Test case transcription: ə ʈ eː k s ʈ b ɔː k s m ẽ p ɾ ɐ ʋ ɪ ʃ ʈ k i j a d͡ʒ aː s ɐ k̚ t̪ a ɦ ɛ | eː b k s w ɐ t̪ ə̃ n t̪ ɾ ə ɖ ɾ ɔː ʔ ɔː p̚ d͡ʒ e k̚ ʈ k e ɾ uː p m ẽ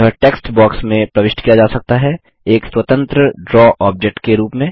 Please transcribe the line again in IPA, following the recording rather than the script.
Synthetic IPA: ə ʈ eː k s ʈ b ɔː k s m ẽ p ɾ ɐ ʋ ɪ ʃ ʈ k i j a d͡ʒ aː s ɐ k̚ t̪ a ɦ ɛ | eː k s w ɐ t̪ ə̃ n t̪ ɾ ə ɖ ɾ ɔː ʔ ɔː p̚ d͡ʒ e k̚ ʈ k e ɾ uː p m ẽ